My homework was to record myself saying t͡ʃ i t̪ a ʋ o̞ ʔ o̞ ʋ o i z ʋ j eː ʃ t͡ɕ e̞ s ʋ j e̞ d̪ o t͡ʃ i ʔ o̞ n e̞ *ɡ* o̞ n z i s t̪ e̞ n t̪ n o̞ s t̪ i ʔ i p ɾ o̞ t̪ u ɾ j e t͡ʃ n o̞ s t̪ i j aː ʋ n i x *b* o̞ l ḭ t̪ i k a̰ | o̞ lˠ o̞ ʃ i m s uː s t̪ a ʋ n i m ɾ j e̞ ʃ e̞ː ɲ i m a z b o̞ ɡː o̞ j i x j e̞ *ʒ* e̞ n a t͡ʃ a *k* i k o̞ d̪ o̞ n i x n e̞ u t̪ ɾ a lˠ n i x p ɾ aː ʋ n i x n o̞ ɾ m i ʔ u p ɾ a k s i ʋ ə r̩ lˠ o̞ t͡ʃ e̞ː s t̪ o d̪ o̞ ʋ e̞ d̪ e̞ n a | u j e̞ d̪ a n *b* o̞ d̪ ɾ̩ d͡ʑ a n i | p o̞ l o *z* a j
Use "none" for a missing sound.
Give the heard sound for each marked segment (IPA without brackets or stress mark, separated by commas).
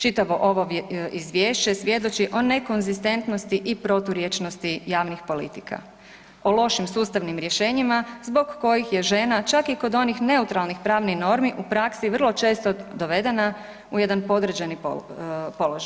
k, p, ʒ, k, p, ʒ